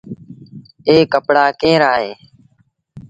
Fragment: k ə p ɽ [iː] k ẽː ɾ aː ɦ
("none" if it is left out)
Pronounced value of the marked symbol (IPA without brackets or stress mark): aː